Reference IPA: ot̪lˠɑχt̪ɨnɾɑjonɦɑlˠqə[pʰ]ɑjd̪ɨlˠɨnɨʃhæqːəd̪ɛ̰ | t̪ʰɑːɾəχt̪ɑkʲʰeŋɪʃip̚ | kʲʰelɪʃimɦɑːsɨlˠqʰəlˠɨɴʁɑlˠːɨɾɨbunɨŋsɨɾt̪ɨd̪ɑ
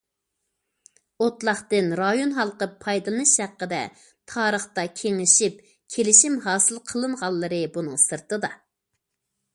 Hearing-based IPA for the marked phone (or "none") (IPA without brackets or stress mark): pʰ